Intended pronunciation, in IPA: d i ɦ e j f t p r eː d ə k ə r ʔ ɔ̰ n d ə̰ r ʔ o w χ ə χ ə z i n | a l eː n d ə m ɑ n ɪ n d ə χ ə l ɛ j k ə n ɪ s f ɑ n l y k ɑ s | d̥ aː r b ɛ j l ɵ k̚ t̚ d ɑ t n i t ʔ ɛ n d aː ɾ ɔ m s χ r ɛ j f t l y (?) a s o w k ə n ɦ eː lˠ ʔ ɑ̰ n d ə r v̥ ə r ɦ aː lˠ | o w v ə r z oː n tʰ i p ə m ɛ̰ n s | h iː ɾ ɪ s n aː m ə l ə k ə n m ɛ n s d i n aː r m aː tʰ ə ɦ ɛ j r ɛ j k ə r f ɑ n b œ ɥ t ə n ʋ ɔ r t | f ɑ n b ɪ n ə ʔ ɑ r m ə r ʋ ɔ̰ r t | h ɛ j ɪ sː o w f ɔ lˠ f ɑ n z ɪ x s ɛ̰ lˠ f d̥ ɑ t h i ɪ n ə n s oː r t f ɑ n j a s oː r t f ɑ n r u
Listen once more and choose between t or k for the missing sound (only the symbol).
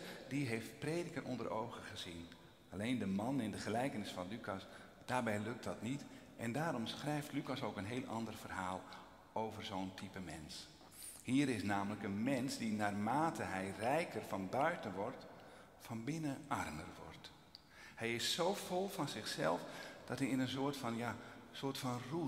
k